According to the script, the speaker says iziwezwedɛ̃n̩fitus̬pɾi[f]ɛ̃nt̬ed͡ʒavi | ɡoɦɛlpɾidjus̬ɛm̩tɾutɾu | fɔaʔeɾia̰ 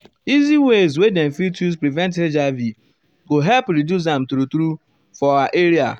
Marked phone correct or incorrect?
incorrect